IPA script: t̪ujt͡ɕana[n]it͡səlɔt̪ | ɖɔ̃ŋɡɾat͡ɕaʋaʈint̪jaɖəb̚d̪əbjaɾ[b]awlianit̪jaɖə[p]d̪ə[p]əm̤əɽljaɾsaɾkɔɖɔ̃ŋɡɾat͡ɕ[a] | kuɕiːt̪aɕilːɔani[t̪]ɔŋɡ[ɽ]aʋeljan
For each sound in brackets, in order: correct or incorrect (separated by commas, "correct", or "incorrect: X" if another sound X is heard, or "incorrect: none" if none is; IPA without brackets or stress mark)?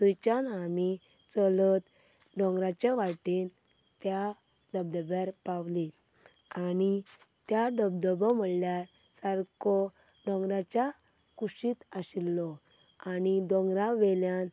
incorrect: m, incorrect: p, incorrect: b, incorrect: b, correct, incorrect: d̪, incorrect: ɾ